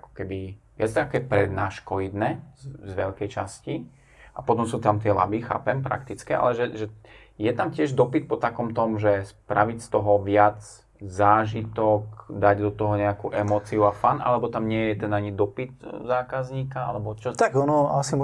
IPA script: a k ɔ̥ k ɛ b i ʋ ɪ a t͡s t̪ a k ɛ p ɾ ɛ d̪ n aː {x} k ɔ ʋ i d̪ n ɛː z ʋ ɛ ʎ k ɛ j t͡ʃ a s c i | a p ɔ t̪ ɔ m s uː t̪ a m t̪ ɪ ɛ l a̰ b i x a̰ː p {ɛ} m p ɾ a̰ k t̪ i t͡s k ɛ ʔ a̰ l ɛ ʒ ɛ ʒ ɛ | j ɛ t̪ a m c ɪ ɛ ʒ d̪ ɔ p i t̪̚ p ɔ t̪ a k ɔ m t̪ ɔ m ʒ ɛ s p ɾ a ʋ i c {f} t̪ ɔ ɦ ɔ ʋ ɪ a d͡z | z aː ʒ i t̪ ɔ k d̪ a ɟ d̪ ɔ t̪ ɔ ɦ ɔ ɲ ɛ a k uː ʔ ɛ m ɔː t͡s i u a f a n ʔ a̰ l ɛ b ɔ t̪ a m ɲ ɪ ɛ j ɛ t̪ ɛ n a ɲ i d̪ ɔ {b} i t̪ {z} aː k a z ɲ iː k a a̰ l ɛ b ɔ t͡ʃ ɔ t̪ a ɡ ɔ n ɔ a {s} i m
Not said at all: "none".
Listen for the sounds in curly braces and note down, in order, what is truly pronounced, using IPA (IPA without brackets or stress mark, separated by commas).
ʃ, ɛ, s, p, z, s